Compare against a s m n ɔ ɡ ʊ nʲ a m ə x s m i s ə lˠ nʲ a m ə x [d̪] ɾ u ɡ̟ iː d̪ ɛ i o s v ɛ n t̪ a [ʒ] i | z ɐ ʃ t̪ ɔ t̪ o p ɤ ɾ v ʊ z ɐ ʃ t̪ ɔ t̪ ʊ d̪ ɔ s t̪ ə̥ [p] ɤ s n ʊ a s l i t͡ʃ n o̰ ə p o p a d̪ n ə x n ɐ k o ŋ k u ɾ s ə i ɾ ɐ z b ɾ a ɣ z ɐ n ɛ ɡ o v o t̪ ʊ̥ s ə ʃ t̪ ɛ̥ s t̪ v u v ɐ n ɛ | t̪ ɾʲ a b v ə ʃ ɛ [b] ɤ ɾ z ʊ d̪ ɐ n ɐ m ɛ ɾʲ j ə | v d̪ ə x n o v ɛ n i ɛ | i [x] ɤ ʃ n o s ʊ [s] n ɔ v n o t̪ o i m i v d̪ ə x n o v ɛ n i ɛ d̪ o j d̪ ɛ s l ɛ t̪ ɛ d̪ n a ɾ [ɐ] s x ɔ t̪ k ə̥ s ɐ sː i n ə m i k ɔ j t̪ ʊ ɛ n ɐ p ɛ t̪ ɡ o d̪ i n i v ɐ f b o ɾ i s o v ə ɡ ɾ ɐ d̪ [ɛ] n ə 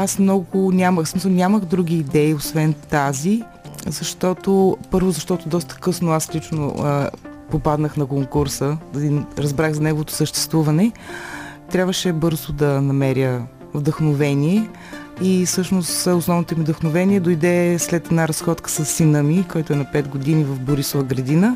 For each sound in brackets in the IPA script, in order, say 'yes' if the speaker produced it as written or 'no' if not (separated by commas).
yes, no, no, yes, no, yes, yes, no